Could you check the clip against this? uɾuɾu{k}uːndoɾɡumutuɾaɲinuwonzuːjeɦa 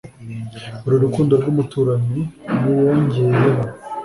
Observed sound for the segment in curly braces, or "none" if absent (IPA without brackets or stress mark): k